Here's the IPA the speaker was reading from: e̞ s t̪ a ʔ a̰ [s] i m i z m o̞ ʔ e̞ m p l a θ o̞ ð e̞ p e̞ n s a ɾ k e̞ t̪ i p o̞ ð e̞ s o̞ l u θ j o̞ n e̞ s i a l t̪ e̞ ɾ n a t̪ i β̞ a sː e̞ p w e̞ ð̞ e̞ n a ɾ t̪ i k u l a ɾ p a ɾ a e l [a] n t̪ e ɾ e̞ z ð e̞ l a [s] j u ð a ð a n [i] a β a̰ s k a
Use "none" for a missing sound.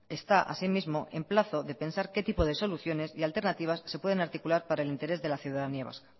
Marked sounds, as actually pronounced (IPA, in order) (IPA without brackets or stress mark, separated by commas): s, i, θ, i